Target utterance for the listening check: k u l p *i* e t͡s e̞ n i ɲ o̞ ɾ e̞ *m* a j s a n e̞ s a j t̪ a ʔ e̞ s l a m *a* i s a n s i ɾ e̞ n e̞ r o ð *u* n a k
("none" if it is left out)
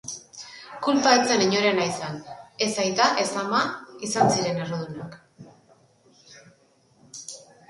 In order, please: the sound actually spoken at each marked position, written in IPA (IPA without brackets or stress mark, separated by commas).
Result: a, n, a, u